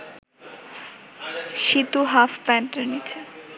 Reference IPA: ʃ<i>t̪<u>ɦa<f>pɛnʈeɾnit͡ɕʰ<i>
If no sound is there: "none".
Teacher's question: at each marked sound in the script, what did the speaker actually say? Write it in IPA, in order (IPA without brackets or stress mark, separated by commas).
i, u, f, e